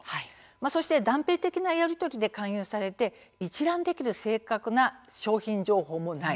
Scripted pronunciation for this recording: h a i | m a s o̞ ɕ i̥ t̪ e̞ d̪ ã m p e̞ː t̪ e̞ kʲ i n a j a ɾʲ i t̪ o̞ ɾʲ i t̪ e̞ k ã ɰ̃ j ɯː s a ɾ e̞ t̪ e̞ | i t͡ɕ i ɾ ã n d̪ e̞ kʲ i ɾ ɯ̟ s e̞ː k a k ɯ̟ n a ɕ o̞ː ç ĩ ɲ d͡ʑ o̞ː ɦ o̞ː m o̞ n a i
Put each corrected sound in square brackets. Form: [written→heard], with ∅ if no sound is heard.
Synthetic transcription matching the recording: h a i | m a s o̞ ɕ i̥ t̪ e̞ d̪ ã m p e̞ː t̪ e̞ kʲ i n a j a ɾʲ i t̪ o̞ ɾʲ i [t̪→d̪] e̞ k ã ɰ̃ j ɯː s a ɾ e̞ t̪ e̞ | i t͡ɕ i ɾ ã n d̪ e̞ kʲ i ɾ ɯ̟ s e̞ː k a k ɯ̟ n a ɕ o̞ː ç ĩ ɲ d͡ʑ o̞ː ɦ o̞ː m o̞ n a i